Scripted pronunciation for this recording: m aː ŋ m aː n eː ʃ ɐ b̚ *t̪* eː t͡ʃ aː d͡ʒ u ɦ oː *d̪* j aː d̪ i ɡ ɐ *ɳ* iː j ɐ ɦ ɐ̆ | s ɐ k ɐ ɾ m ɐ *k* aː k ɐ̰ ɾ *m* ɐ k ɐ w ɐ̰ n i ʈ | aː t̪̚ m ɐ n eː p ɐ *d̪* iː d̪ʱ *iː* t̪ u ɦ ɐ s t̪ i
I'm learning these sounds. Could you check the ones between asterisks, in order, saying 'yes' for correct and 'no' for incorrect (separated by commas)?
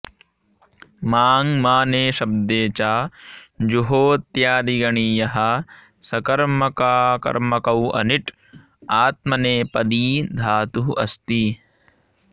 no, no, yes, yes, yes, yes, no